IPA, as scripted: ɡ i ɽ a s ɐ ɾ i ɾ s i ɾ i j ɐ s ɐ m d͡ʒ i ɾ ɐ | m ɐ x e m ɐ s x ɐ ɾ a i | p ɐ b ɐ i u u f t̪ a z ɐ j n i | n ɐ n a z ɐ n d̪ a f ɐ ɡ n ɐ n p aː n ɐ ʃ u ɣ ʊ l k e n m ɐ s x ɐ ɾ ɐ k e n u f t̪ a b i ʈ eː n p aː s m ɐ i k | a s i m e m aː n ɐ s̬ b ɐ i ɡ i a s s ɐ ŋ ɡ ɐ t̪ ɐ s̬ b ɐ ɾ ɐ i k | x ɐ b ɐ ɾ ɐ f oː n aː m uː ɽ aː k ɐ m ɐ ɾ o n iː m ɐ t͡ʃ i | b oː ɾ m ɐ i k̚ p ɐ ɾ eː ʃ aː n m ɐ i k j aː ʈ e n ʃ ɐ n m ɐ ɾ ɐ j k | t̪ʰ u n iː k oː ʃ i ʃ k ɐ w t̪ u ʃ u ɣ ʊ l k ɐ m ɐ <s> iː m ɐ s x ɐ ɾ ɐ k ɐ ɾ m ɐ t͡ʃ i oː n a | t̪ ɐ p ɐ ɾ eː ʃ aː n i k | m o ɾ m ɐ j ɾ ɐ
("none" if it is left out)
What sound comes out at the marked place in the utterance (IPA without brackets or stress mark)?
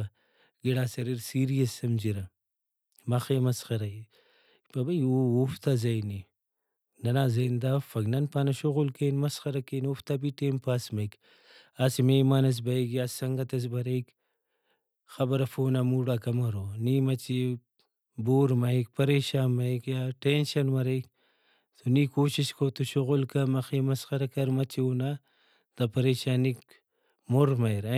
x